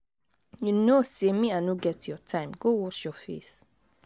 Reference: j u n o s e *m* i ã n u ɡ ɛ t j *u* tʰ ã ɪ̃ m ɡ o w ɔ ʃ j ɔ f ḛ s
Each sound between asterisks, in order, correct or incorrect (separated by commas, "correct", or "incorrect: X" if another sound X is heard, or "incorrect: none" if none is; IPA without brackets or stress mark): correct, incorrect: ɔ